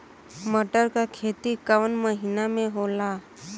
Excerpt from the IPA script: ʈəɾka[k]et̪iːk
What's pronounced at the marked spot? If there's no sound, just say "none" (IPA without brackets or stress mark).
kʰ